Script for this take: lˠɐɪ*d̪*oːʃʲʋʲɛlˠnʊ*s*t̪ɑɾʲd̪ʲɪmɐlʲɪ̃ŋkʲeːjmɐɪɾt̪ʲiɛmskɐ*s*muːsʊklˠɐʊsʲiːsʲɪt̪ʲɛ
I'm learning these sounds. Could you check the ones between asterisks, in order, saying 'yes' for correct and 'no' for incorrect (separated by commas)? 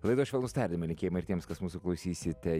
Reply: yes, yes, yes